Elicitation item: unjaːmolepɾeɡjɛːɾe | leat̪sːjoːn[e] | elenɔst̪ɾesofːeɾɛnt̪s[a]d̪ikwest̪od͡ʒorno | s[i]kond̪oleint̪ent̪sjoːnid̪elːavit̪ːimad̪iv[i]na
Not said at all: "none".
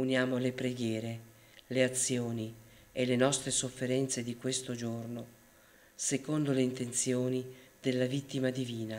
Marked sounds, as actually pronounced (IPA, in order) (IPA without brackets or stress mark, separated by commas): i, e, e, iː